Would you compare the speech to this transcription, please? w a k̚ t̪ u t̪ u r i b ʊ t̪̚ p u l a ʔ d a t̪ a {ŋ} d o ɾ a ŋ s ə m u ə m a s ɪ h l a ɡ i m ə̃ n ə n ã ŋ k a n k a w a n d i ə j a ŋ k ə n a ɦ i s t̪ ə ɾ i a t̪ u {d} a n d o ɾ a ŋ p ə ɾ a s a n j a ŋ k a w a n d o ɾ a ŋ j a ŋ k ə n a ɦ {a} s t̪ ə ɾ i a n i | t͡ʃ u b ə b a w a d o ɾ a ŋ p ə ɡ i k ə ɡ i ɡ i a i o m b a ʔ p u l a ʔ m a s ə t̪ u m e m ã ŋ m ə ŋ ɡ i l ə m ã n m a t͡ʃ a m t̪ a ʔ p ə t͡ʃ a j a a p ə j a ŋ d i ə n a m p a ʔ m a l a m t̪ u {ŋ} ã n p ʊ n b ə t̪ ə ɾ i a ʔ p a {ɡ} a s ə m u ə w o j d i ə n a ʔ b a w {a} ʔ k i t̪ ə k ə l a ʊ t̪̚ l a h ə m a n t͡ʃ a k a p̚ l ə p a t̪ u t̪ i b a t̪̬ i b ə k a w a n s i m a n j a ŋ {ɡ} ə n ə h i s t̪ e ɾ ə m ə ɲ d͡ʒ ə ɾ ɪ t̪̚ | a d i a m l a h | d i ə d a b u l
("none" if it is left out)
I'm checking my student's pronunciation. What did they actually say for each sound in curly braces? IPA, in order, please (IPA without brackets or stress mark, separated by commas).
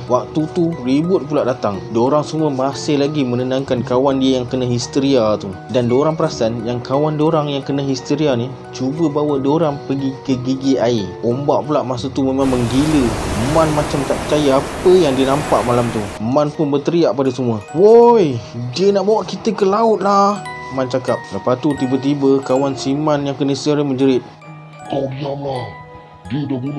ŋ, d, i, m, d, a, k